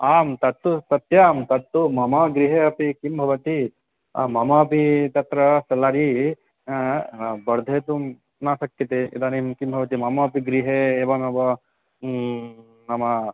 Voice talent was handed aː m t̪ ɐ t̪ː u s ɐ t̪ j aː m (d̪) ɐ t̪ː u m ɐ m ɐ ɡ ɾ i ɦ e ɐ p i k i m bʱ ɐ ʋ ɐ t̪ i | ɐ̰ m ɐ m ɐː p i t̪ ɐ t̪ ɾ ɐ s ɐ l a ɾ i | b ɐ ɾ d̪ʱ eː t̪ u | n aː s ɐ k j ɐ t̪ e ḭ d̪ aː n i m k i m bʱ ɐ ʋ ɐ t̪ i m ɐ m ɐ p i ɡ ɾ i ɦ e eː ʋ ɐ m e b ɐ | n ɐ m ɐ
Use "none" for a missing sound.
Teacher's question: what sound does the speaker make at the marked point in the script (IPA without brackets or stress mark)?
t̪